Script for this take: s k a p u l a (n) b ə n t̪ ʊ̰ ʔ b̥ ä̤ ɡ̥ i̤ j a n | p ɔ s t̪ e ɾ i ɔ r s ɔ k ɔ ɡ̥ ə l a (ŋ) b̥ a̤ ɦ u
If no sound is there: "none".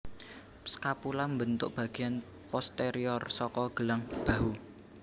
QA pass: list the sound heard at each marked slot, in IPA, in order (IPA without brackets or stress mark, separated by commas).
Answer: m, ŋ